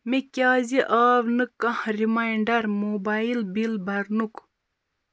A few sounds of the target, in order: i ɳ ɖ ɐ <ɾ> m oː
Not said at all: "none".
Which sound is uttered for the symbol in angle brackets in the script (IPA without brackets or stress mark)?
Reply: ɾ